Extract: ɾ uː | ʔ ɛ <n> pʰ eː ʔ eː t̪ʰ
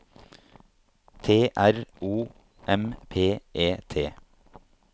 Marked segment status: incorrect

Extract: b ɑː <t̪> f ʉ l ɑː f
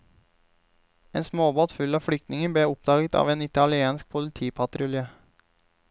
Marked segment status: correct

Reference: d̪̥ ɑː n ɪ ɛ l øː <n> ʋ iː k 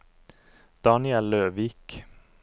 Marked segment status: incorrect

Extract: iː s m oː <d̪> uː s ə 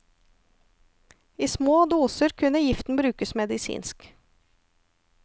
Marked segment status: correct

